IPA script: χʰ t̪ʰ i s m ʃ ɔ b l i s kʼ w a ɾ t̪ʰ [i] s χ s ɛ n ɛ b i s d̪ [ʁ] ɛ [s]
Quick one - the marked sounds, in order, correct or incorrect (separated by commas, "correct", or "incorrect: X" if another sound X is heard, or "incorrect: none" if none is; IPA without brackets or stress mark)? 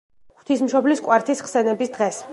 correct, correct, correct